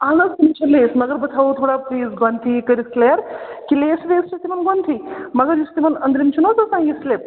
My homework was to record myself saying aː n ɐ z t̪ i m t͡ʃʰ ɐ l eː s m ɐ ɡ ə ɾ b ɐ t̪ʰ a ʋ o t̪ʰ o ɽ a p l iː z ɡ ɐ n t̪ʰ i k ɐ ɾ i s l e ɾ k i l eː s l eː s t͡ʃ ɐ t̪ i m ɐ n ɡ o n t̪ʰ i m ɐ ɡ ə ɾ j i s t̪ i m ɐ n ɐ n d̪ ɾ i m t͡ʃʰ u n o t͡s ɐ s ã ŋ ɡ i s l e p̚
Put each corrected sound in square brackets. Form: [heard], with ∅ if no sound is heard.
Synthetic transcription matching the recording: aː n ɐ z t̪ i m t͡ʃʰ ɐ l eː s m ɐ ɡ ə ɾ b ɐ t̪ʰ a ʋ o t̪ʰ o ɽ a p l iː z ɡ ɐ n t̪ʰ i k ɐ ɾ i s l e ɾ k i l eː s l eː s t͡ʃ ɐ t̪ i m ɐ n ɡ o n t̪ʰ i m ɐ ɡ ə ɾ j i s t̪ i m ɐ n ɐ n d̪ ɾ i m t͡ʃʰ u n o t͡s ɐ s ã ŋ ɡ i s l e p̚

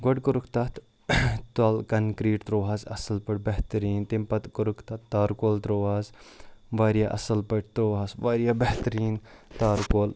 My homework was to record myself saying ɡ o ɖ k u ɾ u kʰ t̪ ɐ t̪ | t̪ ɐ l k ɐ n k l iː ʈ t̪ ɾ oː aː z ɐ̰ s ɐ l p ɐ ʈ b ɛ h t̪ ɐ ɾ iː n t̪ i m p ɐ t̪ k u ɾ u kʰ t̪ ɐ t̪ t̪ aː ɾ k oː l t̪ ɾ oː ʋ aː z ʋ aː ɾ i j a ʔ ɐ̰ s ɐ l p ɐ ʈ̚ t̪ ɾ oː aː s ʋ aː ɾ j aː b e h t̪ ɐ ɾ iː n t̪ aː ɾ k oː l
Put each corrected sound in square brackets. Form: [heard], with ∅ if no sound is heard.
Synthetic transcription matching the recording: ɡ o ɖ k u ɾ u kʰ t̪ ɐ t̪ | t̪ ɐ l k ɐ n k [ɾ] iː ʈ t̪ ɾ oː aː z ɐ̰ s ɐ l p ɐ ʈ b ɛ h t̪ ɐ ɾ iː n t̪ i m p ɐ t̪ k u ɾ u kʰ t̪ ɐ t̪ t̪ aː ɾ k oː l t̪ ɾ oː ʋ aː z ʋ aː ɾ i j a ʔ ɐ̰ s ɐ l p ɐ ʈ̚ t̪ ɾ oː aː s ʋ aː ɾ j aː b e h t̪ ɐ ɾ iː n t̪ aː ɾ k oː l

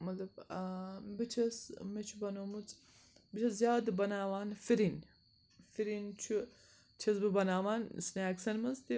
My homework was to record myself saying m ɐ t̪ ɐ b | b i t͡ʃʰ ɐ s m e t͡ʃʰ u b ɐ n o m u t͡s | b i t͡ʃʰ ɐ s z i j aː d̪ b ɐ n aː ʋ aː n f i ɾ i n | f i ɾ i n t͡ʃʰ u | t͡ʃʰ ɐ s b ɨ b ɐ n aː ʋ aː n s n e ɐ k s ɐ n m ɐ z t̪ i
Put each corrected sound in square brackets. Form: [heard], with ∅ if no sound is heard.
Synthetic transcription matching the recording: m ɐ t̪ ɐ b | b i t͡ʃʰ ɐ s m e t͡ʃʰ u b ɐ n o m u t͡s | b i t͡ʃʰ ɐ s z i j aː d̪ b ɐ n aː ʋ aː n f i ɾ i n | f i ɾ i n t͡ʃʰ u | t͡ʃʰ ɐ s b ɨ b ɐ n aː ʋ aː n s n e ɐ k s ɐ n m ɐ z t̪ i

